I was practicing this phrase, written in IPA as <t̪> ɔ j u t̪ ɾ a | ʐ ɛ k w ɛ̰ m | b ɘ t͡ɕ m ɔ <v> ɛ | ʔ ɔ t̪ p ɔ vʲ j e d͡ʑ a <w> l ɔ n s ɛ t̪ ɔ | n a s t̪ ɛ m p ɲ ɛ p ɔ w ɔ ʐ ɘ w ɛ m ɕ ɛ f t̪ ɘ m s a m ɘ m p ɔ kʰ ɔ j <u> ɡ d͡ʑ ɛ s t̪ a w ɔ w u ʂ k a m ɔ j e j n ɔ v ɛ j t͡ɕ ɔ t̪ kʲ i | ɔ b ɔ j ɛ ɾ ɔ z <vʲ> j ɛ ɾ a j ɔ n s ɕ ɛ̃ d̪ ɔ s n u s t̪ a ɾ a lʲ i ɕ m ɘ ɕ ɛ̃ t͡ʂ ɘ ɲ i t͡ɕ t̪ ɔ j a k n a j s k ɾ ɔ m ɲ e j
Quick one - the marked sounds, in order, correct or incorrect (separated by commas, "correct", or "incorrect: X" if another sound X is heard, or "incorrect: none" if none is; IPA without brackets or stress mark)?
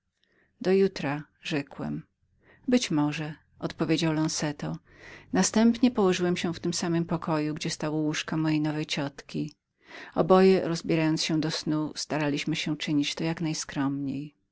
incorrect: d̪, incorrect: ʐ, correct, correct, incorrect: bʲ